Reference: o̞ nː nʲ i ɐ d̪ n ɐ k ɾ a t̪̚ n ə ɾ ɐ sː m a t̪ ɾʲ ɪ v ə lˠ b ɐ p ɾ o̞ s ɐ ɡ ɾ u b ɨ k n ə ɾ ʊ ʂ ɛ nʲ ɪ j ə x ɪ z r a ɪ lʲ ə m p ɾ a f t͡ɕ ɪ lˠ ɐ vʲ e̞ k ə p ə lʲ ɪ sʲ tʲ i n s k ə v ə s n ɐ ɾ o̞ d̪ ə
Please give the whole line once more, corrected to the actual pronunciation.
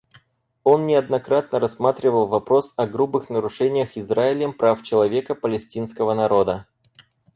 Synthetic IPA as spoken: o̞ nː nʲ ɪ ɐ d̪ n ɐ k ɾ a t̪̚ n ə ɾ ɐ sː m a t̪ ɾʲ ɪ v ə lˠ v ɐ p ɾ o̞ s ɐ ɡ ɾ u b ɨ x n ə ɾ ʊ ʂ ɛ nʲ ɪ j ə x ɪ z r a ɪ lʲ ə m p ɾ a f t͡ɕ ɪ lˠ ɐ vʲ e̞ k ə p ə lʲ ɪ sʲ tʲ i n s k ə v ə n ɐ ɾ o̞ d̪ ə

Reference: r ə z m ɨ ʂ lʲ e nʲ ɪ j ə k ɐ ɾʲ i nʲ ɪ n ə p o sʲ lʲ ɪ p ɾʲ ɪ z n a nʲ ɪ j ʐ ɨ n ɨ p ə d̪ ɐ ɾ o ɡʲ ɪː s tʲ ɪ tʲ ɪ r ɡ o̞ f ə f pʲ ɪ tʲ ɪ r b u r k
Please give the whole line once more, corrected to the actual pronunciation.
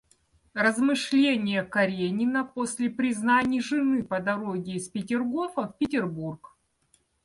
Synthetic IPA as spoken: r ə z m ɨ ʂ lʲ e nʲ ɪ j ə k ɐ ɾʲ e nʲ ɪ n ə p o sʲ lʲ ɪ p ɾʲ ɪ z n a nʲ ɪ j ʐ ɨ n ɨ p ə d̪ ɐ ɾ o ɡʲ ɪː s pʲ ɪ tʲ ɪ r ɡ o̞ f ə f pʲ ɪ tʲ ɪ r b u r k

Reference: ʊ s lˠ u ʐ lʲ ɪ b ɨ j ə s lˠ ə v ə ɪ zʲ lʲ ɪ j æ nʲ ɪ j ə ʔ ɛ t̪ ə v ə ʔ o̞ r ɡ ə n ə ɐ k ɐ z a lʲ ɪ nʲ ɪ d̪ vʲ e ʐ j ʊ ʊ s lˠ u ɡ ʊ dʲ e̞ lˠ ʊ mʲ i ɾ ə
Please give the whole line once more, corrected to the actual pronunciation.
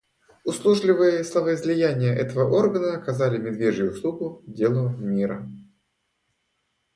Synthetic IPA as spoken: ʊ s lˠ u ʐ lʲ ɪ v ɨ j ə s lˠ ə v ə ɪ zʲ lʲ ɪ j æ nʲ ɪ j ə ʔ ɛ t̪ ə v ə ʔ o̞ r ɡ ə n ə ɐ k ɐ z a lʲ ɪ mʲ ɪ d̪ vʲ e ʐ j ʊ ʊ s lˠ u ɡ ʊ dʲ e̞ lˠ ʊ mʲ i ɾ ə

